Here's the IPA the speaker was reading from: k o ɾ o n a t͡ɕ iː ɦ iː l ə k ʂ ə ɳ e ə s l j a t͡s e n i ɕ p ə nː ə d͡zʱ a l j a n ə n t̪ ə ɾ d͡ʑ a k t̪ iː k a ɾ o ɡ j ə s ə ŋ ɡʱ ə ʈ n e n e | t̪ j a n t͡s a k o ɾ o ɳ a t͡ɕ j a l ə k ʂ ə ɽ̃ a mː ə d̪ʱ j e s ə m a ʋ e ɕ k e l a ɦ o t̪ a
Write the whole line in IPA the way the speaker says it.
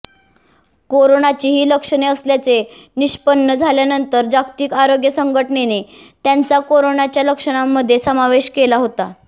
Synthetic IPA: k o ɾ o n a t͡ɕ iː ɦ iː l ə k ʂ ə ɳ e ə s l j a t͡s e n i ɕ p ə nː ə d͡zʱ a l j a n ə n t̪ ə ɾ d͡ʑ a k t̪ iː k a ɾ o ɡ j ə s ə ŋ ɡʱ ə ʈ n e n e | t̪ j a n t͡s a k o ɾ o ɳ a t͡ɕ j a l ə k ʂ ə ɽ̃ a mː ə d̪ʱ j e s ə m a ʋ e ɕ k e l a ɦ o t̪ a